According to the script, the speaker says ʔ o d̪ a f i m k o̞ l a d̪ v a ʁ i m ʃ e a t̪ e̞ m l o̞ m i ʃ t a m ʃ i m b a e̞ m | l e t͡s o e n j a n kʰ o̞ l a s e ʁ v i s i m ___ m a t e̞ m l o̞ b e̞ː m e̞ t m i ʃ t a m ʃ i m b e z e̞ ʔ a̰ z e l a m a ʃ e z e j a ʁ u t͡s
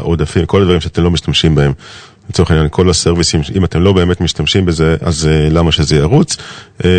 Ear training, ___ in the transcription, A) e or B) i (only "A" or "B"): B